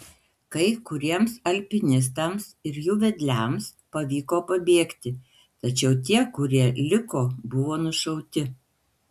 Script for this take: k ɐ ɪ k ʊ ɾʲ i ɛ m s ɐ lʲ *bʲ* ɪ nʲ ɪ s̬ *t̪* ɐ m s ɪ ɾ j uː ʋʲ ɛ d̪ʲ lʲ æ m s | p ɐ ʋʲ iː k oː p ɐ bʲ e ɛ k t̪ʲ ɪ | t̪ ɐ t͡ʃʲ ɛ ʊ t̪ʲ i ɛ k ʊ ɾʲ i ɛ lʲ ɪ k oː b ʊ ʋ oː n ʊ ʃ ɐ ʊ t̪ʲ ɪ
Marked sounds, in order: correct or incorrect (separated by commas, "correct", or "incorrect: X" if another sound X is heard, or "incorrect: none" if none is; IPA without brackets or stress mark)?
incorrect: pʲ, correct